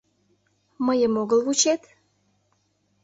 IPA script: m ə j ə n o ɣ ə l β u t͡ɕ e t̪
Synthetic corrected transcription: m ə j ə m o ɣ ə l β u t͡ɕ e t̪